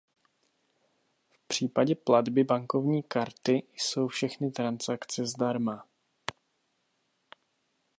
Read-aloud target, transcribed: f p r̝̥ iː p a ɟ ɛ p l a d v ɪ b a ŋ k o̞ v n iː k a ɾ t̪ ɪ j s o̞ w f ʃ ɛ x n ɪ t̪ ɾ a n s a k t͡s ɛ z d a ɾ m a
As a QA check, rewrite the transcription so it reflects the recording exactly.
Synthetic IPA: f p r̝̥ iː p a ɟ ɛ p l a d b ɪ b a ŋ k o̞ v ɲ iː k a ɾ t̪ ɪ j s o̞ w f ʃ ɛ x n ɪ t̪ ɾ a n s a k t͡s ɛ z d a ɾ m a